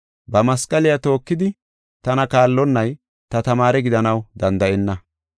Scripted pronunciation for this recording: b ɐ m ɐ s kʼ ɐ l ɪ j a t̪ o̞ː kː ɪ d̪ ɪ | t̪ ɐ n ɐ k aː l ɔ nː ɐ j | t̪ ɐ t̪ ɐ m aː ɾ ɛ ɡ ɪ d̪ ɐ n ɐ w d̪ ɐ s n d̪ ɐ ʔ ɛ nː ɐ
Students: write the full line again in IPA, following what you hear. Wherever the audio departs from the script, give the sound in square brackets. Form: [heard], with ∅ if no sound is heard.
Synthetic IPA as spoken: b ɐ m ɐ s kʼ ɐ l ɪ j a t̪ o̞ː kː ɪ d̪ ɪ | t̪ ɐ n ɐ k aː [lː] ɔ nː ɐ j | t̪ ɐ t̪ ɐ m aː ɾ ɛ ɡ ɪ d̪ ɐ n ɐ w d̪ ɐ [∅] n d̪ ɐ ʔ ɛ nː ɐ